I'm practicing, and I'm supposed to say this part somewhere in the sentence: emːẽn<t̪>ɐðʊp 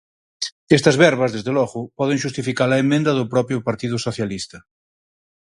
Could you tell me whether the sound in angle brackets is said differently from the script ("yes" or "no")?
yes